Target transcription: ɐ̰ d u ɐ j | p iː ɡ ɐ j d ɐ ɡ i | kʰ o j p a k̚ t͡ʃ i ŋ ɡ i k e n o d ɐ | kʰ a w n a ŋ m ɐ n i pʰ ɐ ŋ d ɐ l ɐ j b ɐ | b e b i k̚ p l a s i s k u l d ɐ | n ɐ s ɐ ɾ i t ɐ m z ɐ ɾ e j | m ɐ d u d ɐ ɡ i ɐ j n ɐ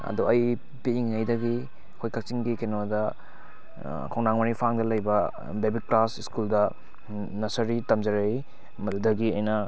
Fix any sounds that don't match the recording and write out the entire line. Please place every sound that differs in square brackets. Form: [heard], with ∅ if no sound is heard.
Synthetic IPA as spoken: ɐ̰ d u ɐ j | p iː [ŋ] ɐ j d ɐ ɡ i | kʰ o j [k] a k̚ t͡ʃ i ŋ ɡ i k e n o d ɐ | kʰ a w n a ŋ m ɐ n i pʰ [a] ŋ d ɐ l ɐ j b ɐ | b e b i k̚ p l a s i s k u l d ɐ | n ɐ s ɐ ɾ i t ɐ m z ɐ ɾ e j | m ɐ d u d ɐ ɡ i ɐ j n ɐ